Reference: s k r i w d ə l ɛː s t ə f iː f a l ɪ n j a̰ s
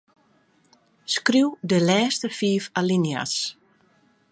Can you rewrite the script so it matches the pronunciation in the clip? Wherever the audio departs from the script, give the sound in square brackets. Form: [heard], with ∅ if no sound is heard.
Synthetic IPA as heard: s k r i w d ə l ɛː s t ə f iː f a l [i] n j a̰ s

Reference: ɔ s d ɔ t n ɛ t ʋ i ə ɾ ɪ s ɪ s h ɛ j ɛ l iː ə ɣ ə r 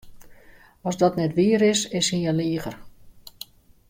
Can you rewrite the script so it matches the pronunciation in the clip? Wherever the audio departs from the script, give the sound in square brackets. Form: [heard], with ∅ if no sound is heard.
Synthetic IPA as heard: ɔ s d ɔ t n ɛ t ʋ i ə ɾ ɪ s ɪ s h [i] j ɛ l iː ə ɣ ə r

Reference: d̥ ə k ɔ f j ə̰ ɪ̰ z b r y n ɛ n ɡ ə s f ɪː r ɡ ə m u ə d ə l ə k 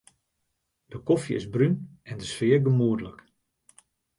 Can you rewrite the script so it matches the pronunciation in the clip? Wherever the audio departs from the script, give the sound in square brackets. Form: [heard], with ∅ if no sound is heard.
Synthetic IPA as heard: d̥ ə k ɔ f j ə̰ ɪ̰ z b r y n ɛ n [d] ə s f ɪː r ɡ ə m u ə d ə l ə k

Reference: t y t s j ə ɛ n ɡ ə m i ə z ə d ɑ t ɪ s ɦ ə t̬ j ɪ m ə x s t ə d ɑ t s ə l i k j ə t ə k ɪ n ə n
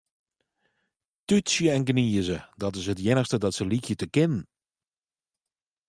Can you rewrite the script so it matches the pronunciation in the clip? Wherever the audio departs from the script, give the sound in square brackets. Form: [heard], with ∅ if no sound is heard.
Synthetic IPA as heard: t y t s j ə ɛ n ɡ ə [n] i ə z ə d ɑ t ɪ s ɦ ə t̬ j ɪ [n] ə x s t ə d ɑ t s ə l i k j ə t ə k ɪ n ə n

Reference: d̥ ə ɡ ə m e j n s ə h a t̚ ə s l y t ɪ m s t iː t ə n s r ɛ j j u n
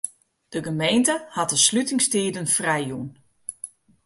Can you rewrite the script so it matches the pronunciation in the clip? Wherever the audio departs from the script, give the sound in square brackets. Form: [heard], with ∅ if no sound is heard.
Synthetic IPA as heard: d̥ ə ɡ ə m e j n [t] ə h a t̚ ə s l y t ɪ [ŋ] s t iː [d] ə n [f] r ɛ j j u n

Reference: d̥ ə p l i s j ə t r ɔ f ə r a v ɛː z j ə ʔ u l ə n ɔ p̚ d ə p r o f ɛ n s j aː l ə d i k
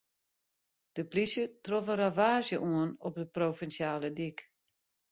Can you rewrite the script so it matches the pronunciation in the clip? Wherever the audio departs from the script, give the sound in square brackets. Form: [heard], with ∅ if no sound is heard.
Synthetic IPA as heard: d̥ ə p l i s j ə t r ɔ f ə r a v [aː] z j ə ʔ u [∅] ə n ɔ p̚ d ə p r o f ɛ n s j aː l ə d i k

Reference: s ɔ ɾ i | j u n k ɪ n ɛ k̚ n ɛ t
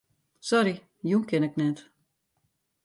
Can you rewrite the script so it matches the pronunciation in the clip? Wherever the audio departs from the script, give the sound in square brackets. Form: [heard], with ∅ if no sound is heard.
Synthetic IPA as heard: s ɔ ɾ i | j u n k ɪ n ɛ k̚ n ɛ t

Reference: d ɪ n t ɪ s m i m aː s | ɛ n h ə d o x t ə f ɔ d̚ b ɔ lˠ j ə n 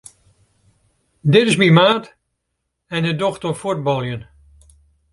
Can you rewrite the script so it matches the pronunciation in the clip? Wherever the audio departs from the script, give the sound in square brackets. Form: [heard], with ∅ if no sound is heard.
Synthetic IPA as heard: d ɪ [∅] t ɪ s m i m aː [t] | ɛ n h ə d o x t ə f [u] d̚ b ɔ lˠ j ə n

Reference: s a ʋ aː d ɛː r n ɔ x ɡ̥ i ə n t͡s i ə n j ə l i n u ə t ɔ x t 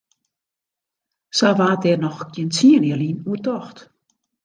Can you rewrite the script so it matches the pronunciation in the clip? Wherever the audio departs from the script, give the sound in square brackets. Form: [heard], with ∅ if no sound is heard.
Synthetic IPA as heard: s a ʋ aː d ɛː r n ɔ x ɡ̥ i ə n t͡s i ə n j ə l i n u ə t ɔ x t

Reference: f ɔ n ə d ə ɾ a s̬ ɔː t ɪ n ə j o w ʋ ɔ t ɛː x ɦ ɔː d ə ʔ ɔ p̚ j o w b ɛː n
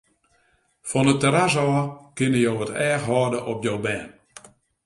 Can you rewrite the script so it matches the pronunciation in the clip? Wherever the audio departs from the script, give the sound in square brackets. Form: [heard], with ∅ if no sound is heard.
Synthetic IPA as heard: f ɔ n ə [t] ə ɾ a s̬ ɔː [k] ɪ n ə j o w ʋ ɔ t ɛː x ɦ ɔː d ə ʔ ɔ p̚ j o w b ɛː n

